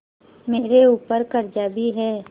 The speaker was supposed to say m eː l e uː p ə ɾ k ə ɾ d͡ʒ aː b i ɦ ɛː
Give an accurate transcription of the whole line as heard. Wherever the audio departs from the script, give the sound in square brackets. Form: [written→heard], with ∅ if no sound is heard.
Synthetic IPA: m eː [l→ɾ] e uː p ə ɾ k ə ɾ d͡ʒ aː b i ɦ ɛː